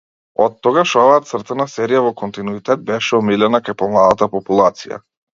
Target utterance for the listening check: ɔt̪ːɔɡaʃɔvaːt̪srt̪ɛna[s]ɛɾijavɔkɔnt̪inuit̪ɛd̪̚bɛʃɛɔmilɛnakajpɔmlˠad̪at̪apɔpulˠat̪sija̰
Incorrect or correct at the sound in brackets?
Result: correct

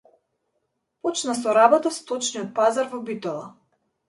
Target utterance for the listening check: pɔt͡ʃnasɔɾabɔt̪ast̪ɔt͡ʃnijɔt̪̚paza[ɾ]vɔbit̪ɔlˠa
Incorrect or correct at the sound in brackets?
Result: correct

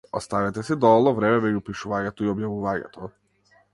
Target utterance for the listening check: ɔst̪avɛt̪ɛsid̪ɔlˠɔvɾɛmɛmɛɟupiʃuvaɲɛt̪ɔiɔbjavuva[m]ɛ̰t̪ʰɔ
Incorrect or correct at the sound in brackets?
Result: incorrect: ɲ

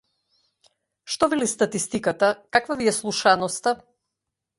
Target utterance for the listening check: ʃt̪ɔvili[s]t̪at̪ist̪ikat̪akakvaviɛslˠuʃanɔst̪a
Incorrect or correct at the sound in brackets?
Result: correct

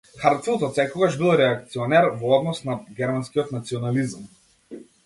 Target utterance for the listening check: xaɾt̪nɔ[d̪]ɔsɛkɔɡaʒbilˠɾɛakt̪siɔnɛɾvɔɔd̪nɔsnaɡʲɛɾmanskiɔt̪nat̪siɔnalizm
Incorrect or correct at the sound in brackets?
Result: incorrect: t̪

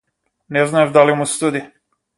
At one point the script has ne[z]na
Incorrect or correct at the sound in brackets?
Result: correct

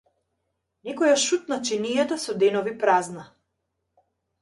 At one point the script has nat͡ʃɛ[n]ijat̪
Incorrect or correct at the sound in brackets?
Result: correct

